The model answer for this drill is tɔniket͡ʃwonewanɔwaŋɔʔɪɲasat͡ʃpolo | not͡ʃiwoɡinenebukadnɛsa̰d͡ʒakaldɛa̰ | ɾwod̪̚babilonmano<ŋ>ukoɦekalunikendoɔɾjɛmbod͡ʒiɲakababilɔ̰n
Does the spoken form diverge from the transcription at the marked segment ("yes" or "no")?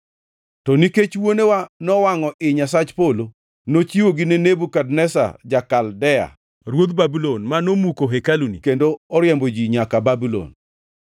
yes